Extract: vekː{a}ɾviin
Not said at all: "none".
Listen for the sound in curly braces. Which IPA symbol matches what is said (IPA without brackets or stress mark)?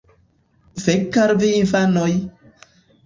a